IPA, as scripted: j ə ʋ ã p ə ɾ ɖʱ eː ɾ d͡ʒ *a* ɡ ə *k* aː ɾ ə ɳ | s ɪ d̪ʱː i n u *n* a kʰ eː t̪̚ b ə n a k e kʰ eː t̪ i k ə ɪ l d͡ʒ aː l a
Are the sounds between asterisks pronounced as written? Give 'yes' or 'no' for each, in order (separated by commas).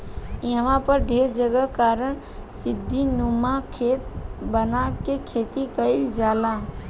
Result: no, yes, no